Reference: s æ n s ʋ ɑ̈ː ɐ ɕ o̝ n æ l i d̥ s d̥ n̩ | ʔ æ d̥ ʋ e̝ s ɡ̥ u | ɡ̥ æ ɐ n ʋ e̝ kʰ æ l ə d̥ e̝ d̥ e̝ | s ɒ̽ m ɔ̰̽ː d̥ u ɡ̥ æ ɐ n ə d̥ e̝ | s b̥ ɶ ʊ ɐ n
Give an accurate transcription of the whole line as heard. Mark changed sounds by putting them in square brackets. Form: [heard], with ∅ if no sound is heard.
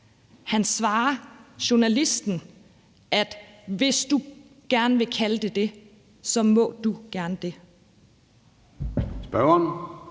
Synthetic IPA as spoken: [h] æ n s ʋ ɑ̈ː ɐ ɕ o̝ n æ l i [∅] s d̥ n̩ | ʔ æ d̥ ʋ e̝ s [d̥] u | ɡ̥ æ ɐ n ʋ e̝ kʰ æ l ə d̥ e̝ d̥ e̝ | s ɒ̽ m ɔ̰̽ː d̥ u ɡ̥ æ ɐ n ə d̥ e̝ | s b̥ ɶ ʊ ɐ n

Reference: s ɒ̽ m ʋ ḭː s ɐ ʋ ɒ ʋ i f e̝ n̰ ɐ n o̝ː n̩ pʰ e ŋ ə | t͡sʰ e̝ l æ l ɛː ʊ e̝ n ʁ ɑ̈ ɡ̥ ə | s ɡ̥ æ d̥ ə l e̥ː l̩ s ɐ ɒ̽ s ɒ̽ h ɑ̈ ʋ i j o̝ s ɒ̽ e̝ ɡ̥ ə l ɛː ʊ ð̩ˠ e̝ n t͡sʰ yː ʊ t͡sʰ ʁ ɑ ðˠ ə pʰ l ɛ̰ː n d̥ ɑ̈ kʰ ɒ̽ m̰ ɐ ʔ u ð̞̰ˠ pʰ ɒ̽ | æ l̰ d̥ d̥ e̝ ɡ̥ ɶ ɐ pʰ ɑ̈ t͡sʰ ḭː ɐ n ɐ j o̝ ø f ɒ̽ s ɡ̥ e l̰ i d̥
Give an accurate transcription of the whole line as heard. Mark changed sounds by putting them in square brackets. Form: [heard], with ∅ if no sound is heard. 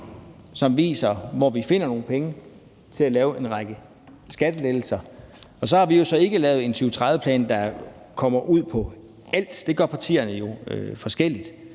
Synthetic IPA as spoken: s ɒ̽ m ʋ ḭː s ɐ ʋ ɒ ʋ i f e̝ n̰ ɐ n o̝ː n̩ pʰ e ŋ ə | t͡sʰ e̝ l æ l ɛː ʊ e̝ n ʁ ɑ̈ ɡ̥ ə | s ɡ̥ æ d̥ ə l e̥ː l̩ s ɐ ɒ̽ s ɒ̽ h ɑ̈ ʋ i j o̝ s ɒ̽ e̝ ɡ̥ ə l ɛː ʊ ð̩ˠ e̝ n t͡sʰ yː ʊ t͡sʰ ʁ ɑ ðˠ ə pʰ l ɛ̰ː n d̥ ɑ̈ kʰ ɒ̽ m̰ ɐ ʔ u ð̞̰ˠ pʰ ɒ̽ | æ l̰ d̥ d̥ e̝ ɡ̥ ɶ ɐ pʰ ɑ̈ t͡sʰ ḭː ɐ n [ə] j o̝ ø f ɒ̽ s ɡ̥ e l̰ i d̥

